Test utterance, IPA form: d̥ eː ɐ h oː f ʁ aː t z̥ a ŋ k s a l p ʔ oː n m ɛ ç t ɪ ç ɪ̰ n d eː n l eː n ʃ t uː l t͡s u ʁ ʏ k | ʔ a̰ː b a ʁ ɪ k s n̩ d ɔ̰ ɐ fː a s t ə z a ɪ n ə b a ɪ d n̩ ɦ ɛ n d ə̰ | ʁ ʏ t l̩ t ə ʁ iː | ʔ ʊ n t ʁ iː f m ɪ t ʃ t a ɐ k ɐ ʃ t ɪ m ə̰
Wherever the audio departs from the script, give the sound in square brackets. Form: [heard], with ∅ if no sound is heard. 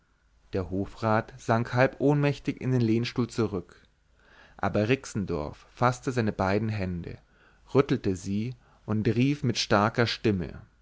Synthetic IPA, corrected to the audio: d̥ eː ɐ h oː f ʁ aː t z̥ a ŋ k [h] a l p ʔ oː n m ɛ ç t ɪ ç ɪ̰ n d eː n l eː n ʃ t uː l t͡s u ʁ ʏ k | ʔ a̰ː b [ɐ] ʁ ɪ k s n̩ d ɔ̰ ɐ fː a s t ə z a ɪ n ə b a ɪ d n̩ ɦ ɛ n d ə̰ | ʁ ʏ t l̩ t ə [z] iː | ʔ ʊ n t ʁ iː f m ɪ t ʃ t a ɐ k ɐ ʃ t ɪ m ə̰